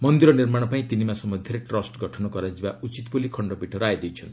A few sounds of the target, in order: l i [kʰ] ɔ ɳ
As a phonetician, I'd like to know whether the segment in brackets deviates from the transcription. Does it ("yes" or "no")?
no